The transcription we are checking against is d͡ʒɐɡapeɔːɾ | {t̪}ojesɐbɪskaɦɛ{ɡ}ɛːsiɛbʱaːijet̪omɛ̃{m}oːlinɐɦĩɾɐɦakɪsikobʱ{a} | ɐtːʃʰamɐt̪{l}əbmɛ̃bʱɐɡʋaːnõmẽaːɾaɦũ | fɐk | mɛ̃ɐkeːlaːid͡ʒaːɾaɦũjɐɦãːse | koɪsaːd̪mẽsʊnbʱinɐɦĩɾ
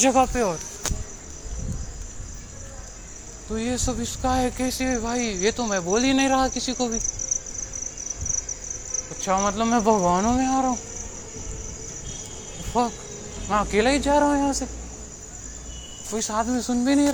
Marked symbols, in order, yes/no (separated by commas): yes, no, no, no, yes